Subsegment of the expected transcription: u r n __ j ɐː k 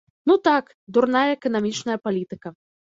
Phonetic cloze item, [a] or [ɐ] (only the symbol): a